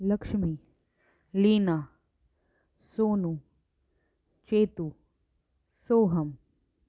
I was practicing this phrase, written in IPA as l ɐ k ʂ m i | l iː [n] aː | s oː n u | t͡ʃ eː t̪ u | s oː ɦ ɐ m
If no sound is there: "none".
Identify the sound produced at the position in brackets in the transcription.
n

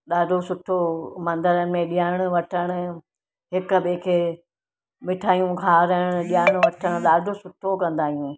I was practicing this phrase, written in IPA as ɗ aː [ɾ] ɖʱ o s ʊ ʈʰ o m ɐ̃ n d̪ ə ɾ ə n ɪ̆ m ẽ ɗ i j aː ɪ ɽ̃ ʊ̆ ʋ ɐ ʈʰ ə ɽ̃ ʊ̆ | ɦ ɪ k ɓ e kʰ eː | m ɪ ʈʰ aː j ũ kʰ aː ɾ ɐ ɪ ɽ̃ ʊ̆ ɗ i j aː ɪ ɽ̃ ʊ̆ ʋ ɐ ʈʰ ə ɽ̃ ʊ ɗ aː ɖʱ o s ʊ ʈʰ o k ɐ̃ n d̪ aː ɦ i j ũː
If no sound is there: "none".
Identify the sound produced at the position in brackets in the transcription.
none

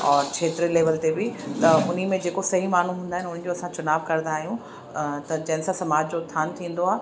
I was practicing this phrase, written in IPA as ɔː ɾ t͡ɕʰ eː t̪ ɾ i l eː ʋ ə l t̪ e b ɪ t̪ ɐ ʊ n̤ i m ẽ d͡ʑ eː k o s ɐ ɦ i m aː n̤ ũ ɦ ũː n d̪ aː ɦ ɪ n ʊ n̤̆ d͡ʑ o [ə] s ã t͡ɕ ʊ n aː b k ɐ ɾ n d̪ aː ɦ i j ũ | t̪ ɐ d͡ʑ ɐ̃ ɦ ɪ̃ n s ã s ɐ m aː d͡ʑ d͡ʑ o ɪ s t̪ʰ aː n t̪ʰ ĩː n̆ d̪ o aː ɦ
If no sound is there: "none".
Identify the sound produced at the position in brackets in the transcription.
ɐ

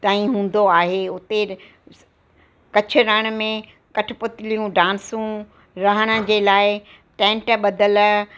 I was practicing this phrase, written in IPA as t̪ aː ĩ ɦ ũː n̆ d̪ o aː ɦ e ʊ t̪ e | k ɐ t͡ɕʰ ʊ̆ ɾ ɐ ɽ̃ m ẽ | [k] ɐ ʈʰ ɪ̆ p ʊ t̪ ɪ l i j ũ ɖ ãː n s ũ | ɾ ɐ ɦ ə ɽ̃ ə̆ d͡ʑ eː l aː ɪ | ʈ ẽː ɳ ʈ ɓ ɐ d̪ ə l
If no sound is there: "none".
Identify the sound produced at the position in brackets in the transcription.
k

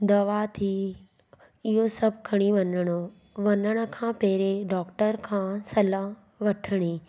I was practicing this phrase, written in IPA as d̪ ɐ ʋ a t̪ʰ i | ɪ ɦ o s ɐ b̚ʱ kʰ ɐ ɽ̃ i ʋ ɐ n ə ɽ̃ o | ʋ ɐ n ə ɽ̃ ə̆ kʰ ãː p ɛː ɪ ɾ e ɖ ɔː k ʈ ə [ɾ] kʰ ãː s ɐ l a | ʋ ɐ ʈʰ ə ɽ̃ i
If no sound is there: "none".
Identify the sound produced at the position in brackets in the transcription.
ɾ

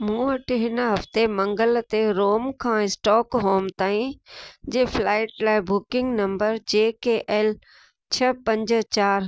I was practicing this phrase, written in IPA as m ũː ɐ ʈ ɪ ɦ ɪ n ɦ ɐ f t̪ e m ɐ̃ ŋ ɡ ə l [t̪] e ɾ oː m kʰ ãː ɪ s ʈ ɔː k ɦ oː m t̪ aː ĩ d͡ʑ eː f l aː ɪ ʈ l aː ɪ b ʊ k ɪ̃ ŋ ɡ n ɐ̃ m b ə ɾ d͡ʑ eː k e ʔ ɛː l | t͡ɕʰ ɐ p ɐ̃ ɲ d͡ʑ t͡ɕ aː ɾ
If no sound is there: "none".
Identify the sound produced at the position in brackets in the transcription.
t̪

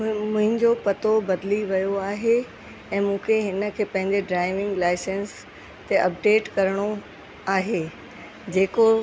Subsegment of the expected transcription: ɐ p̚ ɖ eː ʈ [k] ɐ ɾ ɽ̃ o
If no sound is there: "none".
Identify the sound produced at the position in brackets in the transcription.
k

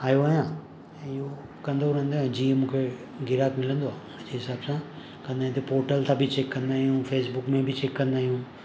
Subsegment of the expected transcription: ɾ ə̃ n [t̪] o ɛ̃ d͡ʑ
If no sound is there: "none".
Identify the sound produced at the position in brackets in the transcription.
d̪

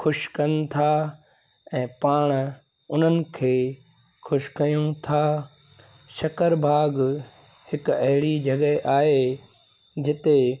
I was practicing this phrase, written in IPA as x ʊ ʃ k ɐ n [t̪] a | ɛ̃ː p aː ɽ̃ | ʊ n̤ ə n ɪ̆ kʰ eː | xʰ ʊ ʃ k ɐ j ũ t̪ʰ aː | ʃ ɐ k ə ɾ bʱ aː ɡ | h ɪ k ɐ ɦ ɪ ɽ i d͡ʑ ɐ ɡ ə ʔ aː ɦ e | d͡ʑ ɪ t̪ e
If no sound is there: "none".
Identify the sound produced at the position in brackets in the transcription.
t̪ʰ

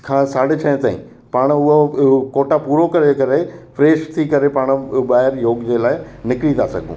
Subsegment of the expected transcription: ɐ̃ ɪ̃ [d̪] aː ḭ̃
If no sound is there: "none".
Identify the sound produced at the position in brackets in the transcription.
t̪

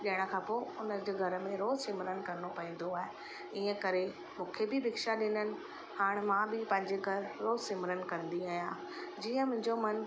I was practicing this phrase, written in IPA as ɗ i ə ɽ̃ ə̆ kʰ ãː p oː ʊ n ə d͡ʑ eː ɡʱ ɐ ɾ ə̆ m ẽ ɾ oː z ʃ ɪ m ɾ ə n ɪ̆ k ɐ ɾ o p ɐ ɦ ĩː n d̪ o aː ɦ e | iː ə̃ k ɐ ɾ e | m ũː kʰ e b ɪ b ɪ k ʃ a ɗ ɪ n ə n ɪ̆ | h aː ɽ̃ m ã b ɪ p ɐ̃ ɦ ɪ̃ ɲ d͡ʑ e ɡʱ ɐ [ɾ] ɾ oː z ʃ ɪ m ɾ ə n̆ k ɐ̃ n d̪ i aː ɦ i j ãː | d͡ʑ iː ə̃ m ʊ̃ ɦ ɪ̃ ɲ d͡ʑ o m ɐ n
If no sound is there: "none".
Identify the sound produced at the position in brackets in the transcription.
ɾ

